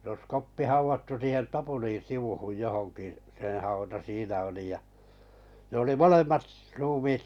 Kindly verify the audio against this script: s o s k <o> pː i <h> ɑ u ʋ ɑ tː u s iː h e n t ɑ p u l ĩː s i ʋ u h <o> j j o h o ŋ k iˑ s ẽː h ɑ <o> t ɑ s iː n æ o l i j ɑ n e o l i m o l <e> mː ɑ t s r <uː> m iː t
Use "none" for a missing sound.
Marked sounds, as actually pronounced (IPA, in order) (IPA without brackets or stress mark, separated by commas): o, h, u, u, e, uː